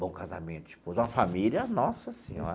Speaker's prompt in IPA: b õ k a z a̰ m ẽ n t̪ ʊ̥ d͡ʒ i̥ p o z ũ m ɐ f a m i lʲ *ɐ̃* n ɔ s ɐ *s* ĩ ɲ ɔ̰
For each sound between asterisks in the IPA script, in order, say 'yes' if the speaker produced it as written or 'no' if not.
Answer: no, yes

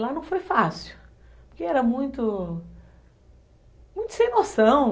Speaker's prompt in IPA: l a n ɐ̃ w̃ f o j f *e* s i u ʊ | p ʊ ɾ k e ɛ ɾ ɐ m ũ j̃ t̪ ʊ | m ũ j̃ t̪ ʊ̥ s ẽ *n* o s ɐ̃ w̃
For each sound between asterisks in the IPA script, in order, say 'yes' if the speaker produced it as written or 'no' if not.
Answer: no, yes

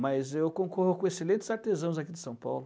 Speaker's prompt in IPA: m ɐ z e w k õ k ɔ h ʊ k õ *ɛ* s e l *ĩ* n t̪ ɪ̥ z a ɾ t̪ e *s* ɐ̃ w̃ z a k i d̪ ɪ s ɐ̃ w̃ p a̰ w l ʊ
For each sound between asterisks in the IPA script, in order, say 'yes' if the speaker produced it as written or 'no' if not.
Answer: no, no, no

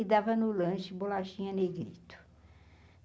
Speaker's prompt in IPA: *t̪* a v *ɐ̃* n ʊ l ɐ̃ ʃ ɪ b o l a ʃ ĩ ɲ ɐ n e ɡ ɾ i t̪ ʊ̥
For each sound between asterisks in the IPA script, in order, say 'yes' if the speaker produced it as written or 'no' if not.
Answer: no, no

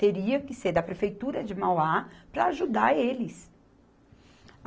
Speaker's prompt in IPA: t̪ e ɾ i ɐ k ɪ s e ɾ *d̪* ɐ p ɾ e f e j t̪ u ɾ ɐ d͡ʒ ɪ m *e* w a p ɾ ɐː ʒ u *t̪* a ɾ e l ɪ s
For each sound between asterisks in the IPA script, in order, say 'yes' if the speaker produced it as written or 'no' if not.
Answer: yes, no, no

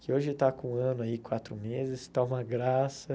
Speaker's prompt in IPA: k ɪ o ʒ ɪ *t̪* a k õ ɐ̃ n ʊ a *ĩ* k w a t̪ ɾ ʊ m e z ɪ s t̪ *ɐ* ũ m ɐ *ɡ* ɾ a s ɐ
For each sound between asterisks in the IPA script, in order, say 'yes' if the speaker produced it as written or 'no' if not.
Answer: yes, no, no, yes

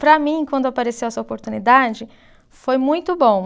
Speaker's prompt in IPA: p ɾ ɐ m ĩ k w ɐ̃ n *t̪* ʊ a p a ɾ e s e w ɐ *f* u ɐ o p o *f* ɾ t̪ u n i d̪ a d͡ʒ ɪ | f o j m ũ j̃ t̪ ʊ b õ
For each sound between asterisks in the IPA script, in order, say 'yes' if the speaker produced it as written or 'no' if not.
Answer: no, no, no

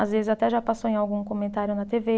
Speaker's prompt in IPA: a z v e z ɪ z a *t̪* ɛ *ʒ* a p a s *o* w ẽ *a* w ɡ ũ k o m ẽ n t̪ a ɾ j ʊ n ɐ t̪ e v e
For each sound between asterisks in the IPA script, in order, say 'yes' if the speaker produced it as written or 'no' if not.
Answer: yes, yes, yes, yes

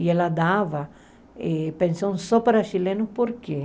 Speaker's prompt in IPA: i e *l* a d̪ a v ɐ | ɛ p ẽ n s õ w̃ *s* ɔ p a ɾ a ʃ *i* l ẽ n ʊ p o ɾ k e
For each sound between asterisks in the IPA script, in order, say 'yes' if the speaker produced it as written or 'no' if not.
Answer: yes, yes, yes

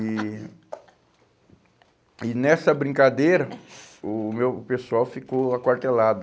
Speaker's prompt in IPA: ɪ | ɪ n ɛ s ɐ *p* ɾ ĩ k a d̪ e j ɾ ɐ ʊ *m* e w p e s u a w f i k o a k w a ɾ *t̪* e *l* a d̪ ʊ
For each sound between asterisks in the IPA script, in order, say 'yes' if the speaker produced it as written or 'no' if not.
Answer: no, yes, yes, yes

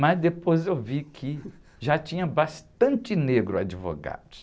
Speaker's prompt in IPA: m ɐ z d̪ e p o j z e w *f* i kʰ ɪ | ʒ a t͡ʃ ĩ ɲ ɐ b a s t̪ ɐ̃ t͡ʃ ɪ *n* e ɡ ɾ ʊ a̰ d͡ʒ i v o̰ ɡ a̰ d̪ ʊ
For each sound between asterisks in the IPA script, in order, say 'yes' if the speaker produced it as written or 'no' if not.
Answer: no, yes

